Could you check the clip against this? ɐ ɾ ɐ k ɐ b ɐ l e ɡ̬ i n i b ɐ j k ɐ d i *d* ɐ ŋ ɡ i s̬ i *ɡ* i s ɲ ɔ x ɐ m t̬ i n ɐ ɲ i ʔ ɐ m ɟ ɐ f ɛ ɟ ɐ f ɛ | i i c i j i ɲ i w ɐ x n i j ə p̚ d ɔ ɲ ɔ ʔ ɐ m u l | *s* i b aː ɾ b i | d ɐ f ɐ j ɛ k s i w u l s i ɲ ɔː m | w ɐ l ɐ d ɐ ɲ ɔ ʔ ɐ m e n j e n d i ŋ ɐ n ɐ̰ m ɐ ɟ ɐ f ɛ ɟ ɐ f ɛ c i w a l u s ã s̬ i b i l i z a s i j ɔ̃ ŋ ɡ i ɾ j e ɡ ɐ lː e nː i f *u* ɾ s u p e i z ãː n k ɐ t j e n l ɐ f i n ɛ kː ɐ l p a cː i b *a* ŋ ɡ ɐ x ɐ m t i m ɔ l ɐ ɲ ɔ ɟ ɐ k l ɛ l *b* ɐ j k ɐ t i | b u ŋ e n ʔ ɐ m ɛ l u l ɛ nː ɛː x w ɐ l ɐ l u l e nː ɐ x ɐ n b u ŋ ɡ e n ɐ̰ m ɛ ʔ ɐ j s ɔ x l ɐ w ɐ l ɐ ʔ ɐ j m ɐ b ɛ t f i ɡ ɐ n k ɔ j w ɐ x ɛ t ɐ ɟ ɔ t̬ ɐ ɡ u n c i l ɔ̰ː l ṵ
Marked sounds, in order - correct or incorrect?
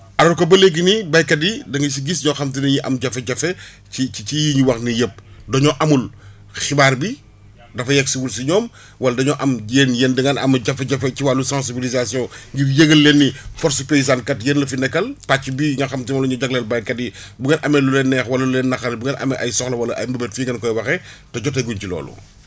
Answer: correct, correct, incorrect, incorrect, incorrect, correct

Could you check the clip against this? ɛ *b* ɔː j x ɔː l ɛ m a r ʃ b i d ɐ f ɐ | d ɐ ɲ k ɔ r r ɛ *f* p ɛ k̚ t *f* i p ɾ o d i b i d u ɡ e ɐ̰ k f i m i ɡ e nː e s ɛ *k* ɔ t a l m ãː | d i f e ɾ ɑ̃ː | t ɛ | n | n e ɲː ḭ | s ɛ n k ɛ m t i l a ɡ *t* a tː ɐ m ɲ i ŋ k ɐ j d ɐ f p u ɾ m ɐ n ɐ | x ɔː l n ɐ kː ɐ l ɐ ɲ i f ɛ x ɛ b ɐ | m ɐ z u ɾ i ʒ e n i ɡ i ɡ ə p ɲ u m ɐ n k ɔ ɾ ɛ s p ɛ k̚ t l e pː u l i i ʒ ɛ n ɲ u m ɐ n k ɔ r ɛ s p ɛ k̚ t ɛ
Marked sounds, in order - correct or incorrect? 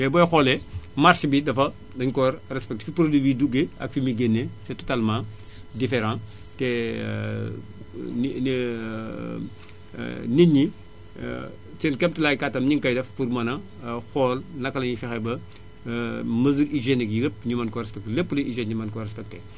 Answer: correct, incorrect, correct, incorrect, incorrect

